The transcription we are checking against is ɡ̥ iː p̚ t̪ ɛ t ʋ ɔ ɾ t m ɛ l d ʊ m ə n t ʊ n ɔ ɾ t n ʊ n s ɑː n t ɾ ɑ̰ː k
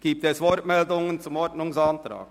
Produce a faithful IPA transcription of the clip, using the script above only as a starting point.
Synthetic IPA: ɡ̥ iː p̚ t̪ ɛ s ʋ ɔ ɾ t m ɛ l d ʊ ŋ ə n t͡s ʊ m ɔ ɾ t n ʊ ŋ s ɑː n t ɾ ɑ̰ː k